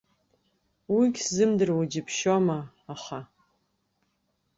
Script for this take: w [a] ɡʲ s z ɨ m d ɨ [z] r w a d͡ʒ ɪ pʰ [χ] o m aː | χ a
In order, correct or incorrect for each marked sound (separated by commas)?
incorrect, incorrect, incorrect